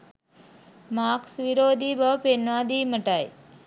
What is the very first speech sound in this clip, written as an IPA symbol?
m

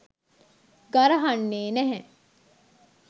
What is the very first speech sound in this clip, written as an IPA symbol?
ɡ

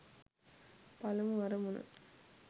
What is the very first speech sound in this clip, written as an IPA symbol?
p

